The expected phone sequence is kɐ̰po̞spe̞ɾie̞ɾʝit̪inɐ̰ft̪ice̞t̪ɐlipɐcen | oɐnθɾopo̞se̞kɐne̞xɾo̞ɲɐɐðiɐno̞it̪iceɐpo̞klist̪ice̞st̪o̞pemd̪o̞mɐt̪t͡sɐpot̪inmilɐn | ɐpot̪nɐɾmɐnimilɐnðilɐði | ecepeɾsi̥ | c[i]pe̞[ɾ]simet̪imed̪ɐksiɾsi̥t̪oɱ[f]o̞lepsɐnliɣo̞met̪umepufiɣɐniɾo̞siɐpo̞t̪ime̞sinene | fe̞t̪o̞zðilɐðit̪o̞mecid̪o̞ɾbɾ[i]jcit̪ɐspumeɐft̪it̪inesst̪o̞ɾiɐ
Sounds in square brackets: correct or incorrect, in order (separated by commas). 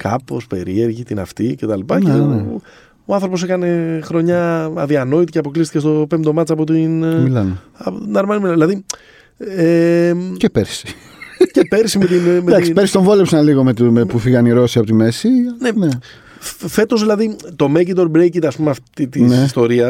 incorrect, correct, incorrect, incorrect